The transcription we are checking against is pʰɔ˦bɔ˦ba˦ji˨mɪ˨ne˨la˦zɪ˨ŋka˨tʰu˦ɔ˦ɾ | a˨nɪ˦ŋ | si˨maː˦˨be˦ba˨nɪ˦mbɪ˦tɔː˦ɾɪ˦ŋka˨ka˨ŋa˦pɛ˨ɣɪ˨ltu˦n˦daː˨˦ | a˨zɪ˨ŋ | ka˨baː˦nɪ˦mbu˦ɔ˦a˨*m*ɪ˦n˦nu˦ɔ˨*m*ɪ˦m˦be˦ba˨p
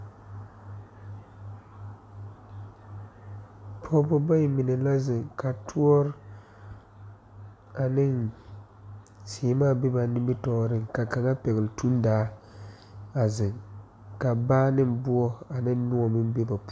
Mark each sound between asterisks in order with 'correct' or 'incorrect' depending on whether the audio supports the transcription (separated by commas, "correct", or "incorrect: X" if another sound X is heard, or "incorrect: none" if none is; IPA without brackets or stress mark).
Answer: incorrect: n, correct